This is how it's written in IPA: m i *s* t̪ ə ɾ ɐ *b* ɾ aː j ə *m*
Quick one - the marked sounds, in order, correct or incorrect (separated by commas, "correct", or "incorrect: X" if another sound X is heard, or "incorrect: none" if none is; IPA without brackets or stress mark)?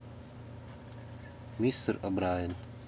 correct, correct, incorrect: n